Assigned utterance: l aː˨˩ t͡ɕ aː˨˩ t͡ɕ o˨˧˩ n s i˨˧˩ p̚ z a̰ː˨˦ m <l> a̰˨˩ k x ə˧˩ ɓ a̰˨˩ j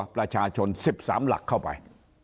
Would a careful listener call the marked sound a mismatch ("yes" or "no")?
no